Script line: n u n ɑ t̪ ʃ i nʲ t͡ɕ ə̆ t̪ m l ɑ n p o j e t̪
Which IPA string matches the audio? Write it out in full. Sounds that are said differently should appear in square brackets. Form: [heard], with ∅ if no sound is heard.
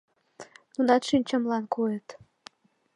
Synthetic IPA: n u n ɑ t̪ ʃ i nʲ t͡ɕ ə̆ [∅] m l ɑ n [k] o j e t̪